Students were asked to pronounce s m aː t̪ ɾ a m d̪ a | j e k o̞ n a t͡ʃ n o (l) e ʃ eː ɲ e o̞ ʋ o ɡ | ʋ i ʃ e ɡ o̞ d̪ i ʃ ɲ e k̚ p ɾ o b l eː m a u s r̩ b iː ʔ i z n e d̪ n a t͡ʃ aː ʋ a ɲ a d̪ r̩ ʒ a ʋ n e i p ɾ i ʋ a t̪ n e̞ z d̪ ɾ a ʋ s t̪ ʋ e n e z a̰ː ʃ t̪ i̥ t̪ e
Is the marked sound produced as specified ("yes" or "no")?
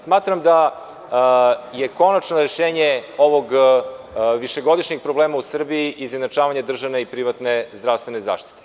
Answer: no